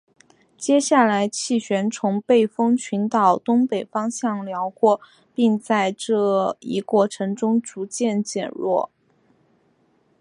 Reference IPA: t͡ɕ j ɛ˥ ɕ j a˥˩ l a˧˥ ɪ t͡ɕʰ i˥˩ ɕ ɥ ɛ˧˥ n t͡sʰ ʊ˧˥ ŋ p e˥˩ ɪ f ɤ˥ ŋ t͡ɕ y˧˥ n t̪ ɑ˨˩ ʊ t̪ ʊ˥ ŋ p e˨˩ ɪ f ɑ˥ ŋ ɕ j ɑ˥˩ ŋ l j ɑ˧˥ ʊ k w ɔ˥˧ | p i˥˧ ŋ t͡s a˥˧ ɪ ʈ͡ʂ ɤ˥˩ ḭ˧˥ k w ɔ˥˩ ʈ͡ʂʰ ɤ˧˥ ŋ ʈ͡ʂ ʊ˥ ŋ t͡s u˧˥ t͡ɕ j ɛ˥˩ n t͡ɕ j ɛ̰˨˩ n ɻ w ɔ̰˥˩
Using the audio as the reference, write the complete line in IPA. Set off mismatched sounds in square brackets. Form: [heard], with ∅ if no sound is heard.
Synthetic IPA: t͡ɕ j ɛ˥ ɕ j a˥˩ l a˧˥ ɪ t͡ɕʰ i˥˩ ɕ ɥ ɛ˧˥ n t͡sʰ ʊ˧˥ ŋ p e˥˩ ɪ f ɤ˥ ŋ [t͡ɕʰ] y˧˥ n t̪ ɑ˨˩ ʊ t̪ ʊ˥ ŋ p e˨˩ ɪ f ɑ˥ ŋ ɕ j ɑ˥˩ ŋ l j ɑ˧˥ ʊ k w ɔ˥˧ | p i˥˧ ŋ t͡s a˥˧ ɪ ʈ͡ʂ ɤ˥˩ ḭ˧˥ k w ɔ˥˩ ʈ͡ʂʰ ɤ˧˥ ŋ ʈ͡ʂ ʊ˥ ŋ t͡s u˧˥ t͡ɕ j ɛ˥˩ n t͡ɕ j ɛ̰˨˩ n ɻ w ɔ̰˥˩